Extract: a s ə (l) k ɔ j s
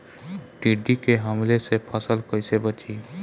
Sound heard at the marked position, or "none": l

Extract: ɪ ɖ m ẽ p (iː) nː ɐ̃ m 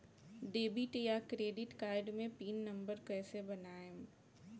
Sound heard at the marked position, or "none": iː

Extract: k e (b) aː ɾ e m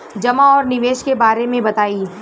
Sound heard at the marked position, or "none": b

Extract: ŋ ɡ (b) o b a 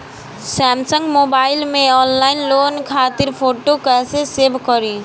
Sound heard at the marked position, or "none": m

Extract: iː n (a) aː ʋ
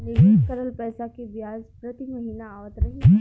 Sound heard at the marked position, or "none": a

